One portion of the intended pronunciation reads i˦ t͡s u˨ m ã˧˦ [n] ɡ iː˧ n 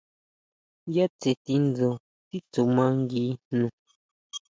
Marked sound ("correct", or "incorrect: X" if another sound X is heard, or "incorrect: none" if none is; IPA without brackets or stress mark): incorrect: ŋ